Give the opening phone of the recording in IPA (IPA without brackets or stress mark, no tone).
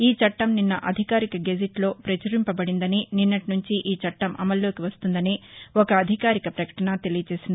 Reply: iː